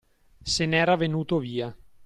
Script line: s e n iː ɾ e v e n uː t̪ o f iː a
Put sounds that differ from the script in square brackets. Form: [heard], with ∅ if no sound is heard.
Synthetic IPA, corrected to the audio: s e n [ɛː] ɾ [a] v e n uː t̪ o [v] iː a